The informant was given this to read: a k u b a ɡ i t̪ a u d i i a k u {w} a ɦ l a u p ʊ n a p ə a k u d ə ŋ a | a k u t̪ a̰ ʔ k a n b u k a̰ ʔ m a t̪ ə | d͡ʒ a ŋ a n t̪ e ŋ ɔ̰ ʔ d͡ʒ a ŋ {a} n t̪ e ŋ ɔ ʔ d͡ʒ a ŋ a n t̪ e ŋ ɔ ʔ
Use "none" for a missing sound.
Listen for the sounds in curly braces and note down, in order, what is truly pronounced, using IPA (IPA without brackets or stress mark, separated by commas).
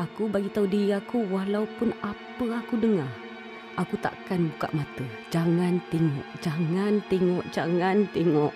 w, a